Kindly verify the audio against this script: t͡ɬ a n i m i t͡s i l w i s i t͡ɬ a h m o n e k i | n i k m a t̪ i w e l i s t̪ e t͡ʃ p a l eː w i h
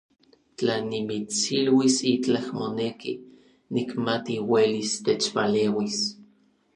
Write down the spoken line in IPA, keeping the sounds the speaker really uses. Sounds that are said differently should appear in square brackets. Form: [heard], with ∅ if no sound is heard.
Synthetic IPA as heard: t͡ɬ a n i m i t͡s i l w i s i t͡ɬ a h m o n e k i | n i k m a t̪ i w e l i s t̪ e t͡ʃ p a l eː w i [s]